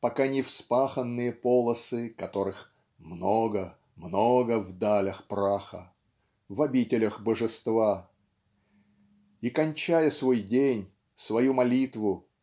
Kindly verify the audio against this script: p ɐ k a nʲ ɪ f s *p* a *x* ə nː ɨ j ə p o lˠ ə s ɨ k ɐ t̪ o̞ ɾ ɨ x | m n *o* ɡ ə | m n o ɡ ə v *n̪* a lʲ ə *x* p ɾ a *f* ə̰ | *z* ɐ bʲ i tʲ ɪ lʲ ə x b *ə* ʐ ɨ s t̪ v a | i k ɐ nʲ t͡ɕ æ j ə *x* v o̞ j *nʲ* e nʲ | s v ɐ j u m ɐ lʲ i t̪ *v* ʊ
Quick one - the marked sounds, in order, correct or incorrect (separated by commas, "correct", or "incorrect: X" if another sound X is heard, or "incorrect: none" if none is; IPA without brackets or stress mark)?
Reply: correct, correct, correct, incorrect: d̪, correct, incorrect: x, incorrect: v, correct, incorrect: s, incorrect: dʲ, correct